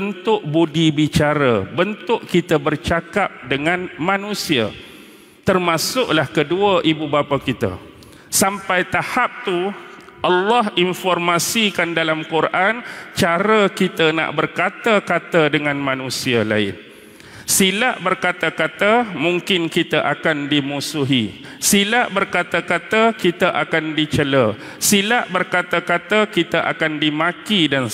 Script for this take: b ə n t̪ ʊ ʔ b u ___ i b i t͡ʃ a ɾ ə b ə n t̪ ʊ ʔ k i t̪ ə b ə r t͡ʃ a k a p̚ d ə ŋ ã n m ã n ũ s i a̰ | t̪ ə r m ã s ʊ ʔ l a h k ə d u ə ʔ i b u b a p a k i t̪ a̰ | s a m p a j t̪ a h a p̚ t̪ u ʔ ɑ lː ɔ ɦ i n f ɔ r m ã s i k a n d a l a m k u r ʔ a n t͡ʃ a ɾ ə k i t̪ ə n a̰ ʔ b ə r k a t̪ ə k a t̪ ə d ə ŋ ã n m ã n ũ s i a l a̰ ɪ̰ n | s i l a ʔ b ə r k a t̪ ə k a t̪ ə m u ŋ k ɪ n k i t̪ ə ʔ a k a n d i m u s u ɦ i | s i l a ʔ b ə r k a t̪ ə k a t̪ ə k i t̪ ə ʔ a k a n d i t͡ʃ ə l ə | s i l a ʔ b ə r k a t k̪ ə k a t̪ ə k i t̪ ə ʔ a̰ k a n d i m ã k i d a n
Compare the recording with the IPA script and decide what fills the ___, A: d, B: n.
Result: A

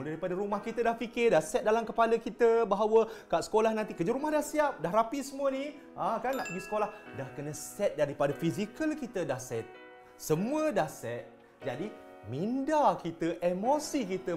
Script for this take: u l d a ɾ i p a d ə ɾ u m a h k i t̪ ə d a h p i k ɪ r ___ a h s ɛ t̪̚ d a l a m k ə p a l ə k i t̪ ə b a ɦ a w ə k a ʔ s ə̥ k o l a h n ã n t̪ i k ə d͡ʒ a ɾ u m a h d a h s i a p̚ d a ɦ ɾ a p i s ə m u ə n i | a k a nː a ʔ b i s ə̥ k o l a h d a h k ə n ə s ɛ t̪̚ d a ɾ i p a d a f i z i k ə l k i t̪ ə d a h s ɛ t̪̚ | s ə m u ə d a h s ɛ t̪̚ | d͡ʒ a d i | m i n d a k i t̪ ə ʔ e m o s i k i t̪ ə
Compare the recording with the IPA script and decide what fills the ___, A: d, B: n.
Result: A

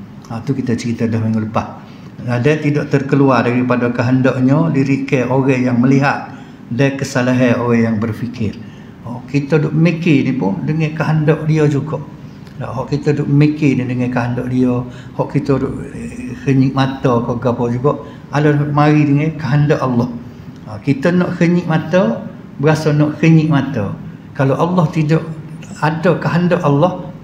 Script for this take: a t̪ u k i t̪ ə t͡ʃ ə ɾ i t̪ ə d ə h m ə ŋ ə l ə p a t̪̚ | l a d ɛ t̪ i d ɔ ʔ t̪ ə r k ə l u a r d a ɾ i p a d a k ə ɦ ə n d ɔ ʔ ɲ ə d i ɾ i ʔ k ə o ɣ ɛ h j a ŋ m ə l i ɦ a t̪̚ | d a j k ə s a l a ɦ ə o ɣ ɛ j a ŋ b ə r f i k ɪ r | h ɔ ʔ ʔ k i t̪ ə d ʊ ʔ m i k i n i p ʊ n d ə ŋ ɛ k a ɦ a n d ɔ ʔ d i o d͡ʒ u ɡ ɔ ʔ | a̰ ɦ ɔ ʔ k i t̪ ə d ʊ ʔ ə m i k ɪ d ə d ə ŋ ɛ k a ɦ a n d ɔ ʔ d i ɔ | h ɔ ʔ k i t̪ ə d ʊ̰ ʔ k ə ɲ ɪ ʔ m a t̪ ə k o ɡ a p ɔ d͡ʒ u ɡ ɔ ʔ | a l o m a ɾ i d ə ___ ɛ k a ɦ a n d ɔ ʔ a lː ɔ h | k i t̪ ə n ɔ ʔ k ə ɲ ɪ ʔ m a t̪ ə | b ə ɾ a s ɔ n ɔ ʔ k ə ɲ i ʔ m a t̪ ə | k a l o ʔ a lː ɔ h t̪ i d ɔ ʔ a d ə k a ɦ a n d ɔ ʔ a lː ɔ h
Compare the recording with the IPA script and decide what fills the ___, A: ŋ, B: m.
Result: A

